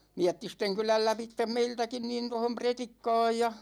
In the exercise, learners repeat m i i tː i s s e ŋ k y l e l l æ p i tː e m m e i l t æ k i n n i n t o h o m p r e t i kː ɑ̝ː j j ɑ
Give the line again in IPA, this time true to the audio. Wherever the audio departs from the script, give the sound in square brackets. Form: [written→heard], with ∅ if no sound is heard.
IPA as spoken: m i [i→æ] tː i s [s→t] e ŋ k y l [e→æ] l l æ p i tː e m m e i l t æ k i n n i n t o h o m p r e t i kː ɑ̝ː j j ɑ